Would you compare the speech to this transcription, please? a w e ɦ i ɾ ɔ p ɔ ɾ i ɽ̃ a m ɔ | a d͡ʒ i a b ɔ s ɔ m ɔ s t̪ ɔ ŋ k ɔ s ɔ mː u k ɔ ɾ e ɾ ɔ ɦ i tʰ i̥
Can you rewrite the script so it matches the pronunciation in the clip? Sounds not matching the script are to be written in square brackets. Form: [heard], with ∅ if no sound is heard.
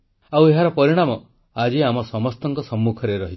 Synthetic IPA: a w e ɦ [a] ɾ ɔ p ɔ ɾ i ɽ̃ a m ɔ | a d͡ʒ i a [m] ɔ s ɔ m ɔ s t̪ ɔ ŋ k ɔ s ɔ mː u [kʰ] ɔ ɾ e ɾ ɔ ɦ i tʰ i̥